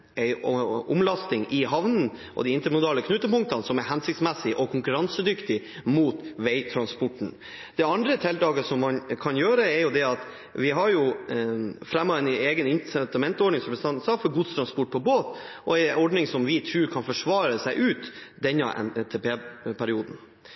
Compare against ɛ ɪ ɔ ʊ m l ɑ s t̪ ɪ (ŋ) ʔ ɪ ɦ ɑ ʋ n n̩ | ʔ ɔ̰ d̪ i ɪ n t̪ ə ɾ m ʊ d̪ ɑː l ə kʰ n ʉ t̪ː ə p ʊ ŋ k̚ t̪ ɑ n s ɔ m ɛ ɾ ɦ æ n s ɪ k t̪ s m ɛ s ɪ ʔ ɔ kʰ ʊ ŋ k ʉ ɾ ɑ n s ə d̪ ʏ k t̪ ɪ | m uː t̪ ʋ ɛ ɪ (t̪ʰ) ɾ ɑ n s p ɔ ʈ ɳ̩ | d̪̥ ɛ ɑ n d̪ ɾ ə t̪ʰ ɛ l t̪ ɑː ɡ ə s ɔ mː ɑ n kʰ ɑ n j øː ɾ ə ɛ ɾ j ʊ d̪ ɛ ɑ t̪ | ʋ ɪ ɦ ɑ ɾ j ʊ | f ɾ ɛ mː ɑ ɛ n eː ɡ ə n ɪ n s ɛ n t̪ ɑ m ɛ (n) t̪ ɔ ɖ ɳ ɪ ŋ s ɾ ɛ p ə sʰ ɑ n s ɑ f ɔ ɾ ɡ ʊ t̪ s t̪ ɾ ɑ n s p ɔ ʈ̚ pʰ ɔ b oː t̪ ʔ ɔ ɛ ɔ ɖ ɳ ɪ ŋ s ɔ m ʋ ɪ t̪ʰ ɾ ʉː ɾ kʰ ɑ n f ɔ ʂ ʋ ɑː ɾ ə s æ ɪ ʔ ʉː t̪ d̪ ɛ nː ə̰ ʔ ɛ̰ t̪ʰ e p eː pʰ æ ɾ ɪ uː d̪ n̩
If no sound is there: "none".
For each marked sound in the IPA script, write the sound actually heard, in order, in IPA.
ŋ, t̪ʰ, n

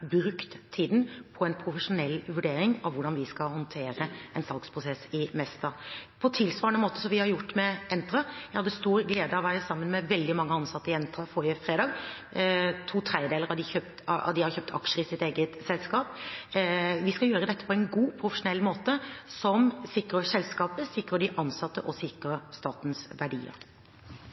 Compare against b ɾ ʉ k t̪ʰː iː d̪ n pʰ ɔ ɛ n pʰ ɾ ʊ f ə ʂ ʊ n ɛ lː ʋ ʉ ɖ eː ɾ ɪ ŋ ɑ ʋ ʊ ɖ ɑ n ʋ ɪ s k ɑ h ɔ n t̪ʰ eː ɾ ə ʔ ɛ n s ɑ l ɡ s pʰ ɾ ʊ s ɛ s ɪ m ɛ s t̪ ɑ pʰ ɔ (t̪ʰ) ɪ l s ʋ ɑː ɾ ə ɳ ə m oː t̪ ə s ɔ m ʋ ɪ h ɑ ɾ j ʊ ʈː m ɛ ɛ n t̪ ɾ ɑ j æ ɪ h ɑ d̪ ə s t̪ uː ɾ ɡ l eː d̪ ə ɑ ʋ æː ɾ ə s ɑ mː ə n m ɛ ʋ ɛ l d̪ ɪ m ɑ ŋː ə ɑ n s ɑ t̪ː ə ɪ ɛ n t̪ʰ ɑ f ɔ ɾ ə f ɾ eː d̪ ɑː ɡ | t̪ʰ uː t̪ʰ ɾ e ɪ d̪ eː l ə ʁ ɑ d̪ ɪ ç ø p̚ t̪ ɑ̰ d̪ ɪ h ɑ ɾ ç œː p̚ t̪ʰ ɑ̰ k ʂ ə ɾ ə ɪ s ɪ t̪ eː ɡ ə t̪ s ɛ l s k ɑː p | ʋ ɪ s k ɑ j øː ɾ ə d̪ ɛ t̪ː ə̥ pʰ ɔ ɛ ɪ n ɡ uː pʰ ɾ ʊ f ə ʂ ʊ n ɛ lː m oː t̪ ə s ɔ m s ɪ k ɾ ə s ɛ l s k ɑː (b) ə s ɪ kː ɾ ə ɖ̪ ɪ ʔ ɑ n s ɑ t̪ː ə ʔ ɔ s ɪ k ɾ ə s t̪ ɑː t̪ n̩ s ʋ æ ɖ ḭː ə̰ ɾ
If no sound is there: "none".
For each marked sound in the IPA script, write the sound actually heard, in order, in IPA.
t̪ʰ, p

